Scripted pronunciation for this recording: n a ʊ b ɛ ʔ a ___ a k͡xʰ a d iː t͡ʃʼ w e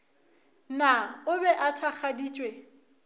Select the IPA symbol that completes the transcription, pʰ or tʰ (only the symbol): tʰ